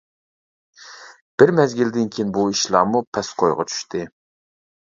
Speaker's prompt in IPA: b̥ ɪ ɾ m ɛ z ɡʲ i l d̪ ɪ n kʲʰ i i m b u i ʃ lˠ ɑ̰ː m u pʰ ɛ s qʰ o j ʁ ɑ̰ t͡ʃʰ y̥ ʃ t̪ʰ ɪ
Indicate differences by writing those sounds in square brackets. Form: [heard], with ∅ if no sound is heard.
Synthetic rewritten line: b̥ ɪ ɾ m ɛ z ɡʲ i l d̪ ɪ n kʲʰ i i [n] b u i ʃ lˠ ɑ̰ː m u pʰ ɛ s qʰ o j ʁ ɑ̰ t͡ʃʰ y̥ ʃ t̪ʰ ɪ

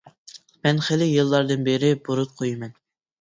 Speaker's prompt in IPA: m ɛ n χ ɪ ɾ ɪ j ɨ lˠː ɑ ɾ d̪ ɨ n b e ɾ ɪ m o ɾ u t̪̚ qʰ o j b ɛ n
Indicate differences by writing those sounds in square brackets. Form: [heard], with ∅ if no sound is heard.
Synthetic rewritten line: m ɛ n χ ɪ [l] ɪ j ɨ lˠː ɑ ɾ d̪ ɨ n b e ɾ ɪ [b] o ɾ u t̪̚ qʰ o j [m] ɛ n

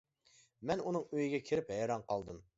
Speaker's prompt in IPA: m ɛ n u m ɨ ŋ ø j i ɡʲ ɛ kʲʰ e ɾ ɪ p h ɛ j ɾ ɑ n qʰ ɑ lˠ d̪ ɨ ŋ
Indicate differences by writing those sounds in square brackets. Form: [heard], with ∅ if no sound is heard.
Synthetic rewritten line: m ɛ n u [n] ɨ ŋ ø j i ɡʲ ɛ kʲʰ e ɾ ɪ p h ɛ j ɾ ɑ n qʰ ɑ lˠ d̪ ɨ [m]

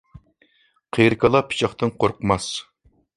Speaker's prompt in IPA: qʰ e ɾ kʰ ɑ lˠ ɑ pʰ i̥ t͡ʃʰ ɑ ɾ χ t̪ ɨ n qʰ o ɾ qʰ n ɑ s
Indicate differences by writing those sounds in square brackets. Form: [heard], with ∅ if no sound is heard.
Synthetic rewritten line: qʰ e ɾ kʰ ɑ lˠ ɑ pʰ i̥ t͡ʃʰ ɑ [∅] χ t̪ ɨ n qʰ o ɾ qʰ [m] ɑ s

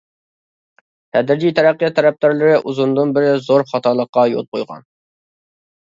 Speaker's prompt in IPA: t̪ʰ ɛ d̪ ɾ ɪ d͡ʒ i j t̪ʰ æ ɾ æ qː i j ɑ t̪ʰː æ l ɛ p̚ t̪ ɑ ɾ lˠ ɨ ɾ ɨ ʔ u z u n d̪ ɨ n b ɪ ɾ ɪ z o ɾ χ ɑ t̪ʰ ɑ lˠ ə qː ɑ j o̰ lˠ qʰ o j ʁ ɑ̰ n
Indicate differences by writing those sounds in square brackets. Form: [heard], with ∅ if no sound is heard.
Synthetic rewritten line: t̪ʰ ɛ d̪ ɾ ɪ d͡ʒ i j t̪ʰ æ ɾ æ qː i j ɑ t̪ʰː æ [ɾ] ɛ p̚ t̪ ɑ ɾ lˠ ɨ ɾ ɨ ʔ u z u n d̪ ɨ n b ɪ ɾ ɪ z o ɾ χ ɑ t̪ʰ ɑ lˠ ə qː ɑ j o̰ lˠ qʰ o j ʁ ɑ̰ n

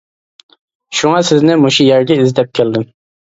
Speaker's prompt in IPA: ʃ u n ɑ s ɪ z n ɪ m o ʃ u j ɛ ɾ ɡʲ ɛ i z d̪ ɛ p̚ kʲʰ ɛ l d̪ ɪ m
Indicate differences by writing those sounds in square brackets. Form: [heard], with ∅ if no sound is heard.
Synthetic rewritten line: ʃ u [ŋ] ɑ s ɪ z n ɪ m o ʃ u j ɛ ɾ ɡʲ ɛ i z d̪ ɛ p̚ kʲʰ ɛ l d̪ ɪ m

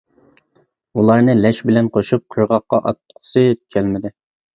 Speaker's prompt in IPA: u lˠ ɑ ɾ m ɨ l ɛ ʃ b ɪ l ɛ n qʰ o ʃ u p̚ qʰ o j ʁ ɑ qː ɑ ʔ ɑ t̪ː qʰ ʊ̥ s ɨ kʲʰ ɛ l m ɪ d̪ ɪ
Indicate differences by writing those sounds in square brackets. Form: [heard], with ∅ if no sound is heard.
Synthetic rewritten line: u lˠ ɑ ɾ [n] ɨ l ɛ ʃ b ɪ l ɛ n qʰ o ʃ u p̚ qʰ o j ʁ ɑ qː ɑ ʔ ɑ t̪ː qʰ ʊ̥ s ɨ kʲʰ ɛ l m ɪ d̪ ɪ

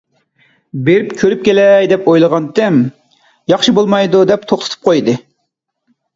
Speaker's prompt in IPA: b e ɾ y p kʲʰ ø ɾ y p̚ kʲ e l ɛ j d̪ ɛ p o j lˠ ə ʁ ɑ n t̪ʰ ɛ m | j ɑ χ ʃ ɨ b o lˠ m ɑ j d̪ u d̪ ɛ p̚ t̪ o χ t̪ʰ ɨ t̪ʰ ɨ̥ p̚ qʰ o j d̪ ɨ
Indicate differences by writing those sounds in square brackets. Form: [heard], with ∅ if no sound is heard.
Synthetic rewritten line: b e ɾ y p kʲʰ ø ɾ y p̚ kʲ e l ɛ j d̪ ɛ p o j lˠ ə ʁ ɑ n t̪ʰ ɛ m | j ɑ χ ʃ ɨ b o lˠ m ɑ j d̪ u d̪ ɛ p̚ [t̪ʰ] o χ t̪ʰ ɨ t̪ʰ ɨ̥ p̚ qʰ o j d̪ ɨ

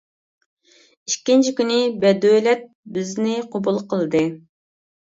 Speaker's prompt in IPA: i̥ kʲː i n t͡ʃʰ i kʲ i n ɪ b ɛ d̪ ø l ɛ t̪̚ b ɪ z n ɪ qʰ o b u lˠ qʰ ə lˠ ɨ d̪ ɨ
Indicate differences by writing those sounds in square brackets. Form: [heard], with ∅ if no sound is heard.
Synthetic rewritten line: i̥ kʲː i n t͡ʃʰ i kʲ [y] n ɪ b ɛ d̪ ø l ɛ t̪̚ b ɪ z n ɪ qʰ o b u lˠ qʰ ə lˠ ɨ d̪ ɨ

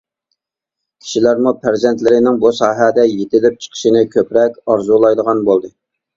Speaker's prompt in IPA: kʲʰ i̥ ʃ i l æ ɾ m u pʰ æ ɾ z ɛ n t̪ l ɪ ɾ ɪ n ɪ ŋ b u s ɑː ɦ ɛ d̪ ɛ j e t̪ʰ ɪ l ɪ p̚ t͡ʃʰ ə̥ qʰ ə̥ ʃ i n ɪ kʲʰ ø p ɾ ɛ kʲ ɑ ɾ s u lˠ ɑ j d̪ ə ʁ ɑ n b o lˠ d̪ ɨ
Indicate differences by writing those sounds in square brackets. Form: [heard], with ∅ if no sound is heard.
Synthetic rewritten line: kʲʰ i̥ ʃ i l æ ɾ m u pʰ æ ɾ z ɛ n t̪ l ɪ ɾ ɪ n ɪ ŋ b u s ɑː ɦ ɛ d̪ ɛ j e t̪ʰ ɪ l ɪ p̚ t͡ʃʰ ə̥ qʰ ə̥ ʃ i n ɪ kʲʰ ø p ɾ ɛ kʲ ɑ ɾ [z] u lˠ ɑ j d̪ ə ʁ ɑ n b o lˠ d̪ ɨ

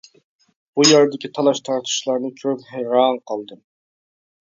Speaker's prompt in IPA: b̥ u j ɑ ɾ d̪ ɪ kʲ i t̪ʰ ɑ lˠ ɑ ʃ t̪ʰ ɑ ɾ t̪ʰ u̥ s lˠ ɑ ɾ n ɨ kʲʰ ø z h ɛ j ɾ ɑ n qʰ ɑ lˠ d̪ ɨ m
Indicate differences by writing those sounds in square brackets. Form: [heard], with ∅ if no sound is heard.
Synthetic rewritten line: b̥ u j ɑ ɾ d̪ ɪ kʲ i t̪ʰ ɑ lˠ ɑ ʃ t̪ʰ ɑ ɾ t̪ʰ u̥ [ʃ] lˠ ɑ ɾ n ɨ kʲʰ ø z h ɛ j ɾ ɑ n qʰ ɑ lˠ d̪ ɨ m

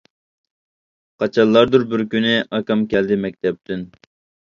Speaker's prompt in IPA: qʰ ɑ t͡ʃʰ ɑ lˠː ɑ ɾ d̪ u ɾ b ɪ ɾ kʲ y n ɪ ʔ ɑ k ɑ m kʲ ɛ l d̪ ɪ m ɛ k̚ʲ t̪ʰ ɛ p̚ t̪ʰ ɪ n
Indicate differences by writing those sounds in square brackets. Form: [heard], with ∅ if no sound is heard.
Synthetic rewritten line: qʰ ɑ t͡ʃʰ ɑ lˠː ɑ ɾ d̪ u ɾ b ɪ ɾ kʲ y n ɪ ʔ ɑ k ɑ m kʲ ɛ l d̪ ɪ m ɛ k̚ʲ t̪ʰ ɛ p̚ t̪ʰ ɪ n

